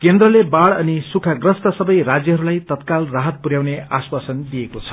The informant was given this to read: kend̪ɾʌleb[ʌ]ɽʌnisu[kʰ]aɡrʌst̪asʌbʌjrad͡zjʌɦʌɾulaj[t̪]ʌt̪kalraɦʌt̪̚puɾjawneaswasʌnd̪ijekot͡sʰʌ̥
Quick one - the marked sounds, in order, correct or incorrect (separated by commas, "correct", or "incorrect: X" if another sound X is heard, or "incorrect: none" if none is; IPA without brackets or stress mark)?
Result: incorrect: a, correct, correct